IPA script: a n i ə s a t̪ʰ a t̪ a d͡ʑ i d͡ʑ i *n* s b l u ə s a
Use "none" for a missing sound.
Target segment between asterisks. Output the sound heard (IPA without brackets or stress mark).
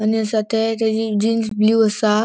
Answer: n